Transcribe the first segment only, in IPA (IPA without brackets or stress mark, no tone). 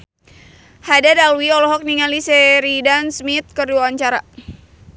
h